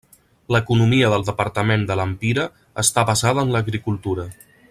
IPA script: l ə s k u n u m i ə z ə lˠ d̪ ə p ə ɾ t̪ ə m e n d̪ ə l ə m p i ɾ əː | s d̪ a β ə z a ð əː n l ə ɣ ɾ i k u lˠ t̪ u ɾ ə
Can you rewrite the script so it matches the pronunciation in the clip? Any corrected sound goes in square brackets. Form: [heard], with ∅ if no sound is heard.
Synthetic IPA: l ə [∅] k u n u m i ə [ð] ə lˠ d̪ ə p ə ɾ t̪ ə m e n d̪ ə l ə m p i ɾ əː | s [t̪] a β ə z a ð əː n l ə ɣ ɾ i k u lˠ t̪ u ɾ ə